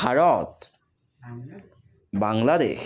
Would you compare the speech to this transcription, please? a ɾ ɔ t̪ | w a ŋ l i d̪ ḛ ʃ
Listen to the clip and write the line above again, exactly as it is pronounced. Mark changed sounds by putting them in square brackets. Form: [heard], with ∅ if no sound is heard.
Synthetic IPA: a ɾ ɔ t̪ | [b] a ŋ l [a] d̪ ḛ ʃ